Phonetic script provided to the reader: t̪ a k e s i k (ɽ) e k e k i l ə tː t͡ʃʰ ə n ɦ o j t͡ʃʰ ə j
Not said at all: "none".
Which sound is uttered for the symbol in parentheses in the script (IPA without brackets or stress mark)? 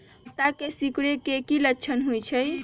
ɽ